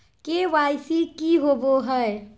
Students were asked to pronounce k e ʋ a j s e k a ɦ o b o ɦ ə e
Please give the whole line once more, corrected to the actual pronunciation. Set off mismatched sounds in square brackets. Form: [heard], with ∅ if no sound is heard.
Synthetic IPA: k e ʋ a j s [i] k [i] ɦ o b o ɦ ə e